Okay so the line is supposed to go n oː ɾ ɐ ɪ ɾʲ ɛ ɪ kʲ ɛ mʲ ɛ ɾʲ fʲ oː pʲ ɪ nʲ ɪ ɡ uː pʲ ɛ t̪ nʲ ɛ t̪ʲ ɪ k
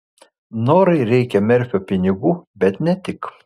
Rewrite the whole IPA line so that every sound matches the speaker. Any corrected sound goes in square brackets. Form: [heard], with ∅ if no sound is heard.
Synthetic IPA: n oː ɾ ɐ ɪ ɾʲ ɛ ɪ kʲ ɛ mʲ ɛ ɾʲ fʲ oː pʲ ɪ nʲ ɪ ɡ uː [bʲ] ɛ t̪ nʲ ɛ t̪ʲ ɪ k